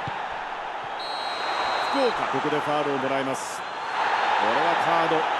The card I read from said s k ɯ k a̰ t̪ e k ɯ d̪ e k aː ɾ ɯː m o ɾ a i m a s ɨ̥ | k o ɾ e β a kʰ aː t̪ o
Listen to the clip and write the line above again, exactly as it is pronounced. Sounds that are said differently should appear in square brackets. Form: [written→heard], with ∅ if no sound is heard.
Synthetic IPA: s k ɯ k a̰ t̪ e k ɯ d̪ e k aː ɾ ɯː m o ɾ a i m a s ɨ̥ | k o ɾ e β a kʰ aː [t̪→d̪] o